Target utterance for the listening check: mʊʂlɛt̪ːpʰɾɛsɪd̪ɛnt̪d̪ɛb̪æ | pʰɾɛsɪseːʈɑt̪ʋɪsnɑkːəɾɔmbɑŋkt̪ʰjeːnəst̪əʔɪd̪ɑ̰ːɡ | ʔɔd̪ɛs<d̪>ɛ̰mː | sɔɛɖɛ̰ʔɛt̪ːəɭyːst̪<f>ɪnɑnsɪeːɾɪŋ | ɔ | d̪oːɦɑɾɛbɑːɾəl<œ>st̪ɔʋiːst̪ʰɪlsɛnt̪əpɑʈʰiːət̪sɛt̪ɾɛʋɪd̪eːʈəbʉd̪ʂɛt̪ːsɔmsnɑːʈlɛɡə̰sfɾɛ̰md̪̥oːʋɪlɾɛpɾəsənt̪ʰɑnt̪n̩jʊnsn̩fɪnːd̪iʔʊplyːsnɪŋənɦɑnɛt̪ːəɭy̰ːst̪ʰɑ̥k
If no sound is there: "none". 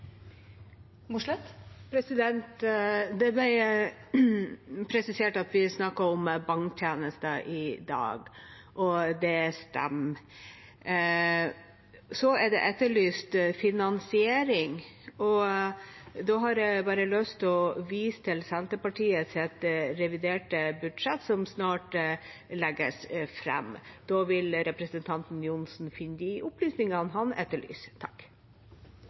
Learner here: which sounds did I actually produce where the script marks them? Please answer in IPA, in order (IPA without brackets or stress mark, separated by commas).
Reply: t̪, f, œ